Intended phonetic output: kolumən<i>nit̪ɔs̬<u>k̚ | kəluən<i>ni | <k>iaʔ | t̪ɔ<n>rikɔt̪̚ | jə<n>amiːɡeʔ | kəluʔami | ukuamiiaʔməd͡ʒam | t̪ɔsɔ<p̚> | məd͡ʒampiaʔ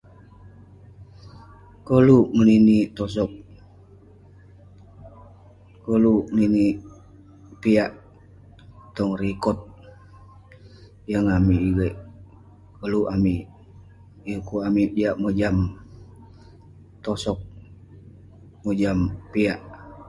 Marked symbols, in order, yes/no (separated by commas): yes, no, yes, no, no, no, no